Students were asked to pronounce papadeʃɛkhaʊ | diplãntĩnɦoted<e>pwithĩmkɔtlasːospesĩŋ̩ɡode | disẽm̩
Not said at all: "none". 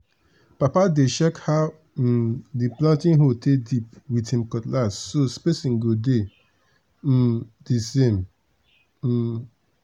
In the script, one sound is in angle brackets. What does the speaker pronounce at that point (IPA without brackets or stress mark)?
i